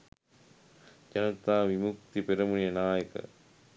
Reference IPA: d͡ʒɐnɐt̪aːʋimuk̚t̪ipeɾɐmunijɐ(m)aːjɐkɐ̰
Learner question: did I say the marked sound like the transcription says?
no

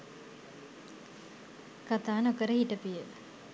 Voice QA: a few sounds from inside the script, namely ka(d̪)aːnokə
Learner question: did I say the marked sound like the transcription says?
no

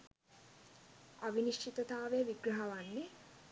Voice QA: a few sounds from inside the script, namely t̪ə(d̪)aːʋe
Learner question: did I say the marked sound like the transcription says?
no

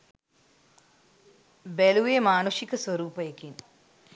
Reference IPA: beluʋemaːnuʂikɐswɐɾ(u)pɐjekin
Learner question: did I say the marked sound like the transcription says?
no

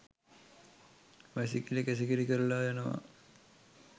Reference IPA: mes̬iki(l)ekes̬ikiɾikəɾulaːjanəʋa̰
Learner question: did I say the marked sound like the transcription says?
yes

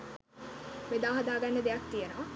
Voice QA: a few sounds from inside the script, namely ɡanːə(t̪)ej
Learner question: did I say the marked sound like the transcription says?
no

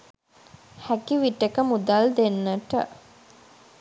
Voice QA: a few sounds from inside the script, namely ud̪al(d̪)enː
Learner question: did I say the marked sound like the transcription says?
yes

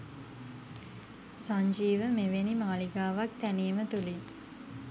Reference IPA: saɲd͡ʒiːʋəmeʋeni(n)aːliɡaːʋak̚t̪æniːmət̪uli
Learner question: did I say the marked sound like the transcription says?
no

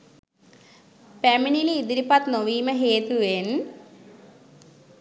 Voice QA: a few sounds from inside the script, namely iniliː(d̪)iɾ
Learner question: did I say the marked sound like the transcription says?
yes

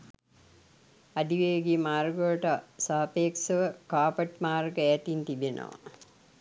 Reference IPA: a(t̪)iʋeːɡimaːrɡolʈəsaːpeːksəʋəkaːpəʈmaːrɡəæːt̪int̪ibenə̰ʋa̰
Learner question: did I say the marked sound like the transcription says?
no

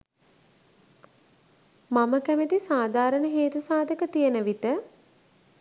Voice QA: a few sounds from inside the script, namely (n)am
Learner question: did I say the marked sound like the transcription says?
no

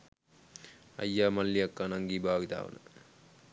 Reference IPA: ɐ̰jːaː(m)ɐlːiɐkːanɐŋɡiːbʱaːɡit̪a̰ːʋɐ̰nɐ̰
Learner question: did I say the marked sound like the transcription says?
yes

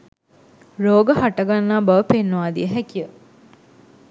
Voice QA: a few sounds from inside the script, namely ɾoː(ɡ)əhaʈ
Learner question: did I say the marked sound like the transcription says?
yes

